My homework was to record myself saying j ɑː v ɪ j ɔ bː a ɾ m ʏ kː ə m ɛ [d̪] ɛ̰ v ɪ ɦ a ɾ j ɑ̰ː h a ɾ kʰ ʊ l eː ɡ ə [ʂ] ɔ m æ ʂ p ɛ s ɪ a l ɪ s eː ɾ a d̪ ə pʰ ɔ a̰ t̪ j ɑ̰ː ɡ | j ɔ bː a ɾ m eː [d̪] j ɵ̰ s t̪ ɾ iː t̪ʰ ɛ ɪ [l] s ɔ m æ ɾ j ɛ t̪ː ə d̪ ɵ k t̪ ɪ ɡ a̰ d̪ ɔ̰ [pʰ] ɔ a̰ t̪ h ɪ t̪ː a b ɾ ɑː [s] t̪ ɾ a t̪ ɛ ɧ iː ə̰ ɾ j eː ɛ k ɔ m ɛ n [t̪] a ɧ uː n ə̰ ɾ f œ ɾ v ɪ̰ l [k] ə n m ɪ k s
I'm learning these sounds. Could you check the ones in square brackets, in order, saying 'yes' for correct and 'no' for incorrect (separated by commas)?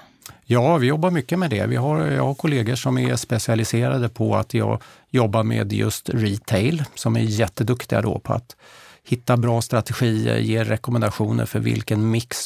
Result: yes, yes, yes, yes, yes, yes, no, yes